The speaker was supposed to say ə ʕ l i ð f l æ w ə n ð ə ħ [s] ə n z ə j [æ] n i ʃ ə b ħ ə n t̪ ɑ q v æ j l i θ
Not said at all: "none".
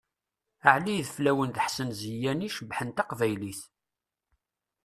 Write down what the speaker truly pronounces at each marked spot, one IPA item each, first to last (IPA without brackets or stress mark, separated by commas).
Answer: s, æ